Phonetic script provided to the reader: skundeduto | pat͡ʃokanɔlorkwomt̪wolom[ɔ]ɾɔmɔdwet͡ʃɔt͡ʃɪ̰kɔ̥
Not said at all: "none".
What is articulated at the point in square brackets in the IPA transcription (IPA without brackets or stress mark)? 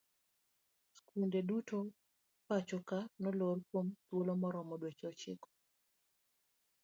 ɔ